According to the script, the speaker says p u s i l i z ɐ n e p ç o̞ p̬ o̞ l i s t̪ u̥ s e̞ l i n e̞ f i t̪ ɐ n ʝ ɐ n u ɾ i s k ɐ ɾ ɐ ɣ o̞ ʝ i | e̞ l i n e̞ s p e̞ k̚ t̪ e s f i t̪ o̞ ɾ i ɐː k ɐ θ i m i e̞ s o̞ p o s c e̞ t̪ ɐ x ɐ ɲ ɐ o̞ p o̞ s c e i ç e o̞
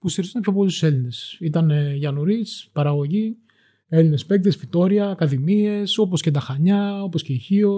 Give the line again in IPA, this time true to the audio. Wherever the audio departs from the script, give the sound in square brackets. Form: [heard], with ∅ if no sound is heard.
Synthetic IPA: p u s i [ɾ] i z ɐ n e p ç o̞ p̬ o̞ l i s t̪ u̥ s e̞ l i n e̞ [s] i t̪ ɐ n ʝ ɐ n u ɾ i s [p] ɐ ɾ ɐ ɣ o̞ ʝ i | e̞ l i n e̞ s p e̞ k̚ t̪ e s f i t̪ o̞ ɾ i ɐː k ɐ [ð] i m i e̞ s o̞ p o s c e̞ t̪ ɐ x ɐ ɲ ɐ o̞ p o̞ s c e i ç [i] o̞